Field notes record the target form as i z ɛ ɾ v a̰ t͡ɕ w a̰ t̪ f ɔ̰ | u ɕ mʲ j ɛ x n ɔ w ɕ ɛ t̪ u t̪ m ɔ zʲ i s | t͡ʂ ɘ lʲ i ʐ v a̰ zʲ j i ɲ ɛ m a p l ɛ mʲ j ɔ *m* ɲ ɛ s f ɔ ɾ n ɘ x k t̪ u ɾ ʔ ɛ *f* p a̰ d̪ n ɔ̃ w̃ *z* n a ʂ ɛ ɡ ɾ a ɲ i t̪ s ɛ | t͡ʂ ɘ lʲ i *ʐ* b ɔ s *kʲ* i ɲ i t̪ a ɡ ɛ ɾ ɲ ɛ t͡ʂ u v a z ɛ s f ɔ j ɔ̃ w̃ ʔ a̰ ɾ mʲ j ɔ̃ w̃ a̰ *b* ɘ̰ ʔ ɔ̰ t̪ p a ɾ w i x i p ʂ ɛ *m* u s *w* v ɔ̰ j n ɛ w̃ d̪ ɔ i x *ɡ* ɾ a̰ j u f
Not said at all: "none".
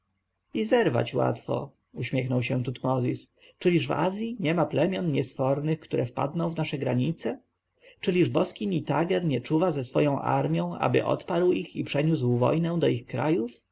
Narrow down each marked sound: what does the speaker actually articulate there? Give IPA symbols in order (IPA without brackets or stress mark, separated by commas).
n, f, v, ʐ, kʲ, b, ɲ, w, k